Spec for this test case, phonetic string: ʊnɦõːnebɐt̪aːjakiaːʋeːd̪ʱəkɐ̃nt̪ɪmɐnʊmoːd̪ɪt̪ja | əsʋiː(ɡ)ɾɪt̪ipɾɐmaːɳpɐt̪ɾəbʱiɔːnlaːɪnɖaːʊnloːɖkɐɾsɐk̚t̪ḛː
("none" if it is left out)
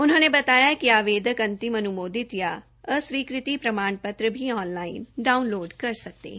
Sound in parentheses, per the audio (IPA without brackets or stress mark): k